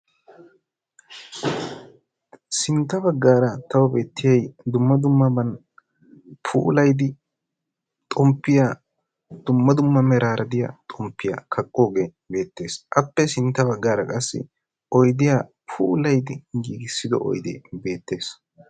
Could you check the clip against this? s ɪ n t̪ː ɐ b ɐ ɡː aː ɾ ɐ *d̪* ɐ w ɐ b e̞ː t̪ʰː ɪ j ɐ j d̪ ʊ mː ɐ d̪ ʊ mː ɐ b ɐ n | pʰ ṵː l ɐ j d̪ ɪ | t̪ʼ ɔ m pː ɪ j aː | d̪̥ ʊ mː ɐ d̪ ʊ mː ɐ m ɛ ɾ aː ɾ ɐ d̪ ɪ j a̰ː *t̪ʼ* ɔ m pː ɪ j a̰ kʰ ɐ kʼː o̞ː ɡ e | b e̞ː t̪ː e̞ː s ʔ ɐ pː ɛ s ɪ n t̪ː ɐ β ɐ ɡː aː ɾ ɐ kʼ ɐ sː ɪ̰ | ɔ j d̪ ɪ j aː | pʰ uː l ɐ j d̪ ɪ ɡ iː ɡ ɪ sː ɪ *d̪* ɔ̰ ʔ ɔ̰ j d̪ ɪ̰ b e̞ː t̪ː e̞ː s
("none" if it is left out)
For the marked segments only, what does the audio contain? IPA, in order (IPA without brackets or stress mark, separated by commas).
t̪, t̪ʼ, d̪